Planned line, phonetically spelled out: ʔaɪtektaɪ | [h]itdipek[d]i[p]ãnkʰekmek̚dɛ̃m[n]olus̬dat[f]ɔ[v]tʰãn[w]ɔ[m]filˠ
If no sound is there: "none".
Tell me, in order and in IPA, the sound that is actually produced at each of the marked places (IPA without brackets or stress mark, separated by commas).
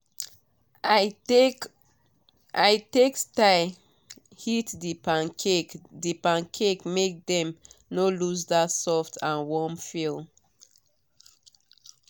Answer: h, d, p, n, s, f, w, m